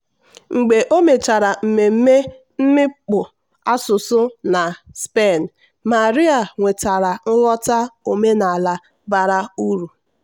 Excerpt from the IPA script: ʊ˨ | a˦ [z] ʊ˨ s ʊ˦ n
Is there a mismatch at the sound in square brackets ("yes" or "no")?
yes